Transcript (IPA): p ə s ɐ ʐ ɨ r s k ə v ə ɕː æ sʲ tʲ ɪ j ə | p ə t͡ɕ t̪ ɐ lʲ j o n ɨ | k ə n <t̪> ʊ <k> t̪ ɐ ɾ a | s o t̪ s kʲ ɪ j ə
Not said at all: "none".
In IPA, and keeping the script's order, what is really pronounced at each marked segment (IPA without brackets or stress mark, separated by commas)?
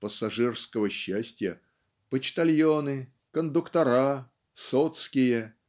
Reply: d̪, k